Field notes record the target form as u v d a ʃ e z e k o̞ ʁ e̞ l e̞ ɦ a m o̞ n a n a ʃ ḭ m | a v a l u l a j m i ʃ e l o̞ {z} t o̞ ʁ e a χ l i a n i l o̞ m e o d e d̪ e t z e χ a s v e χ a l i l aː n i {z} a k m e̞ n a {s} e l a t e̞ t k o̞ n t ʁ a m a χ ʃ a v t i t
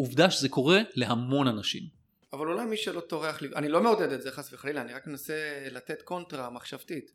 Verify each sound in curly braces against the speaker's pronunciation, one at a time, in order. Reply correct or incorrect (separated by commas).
incorrect, incorrect, correct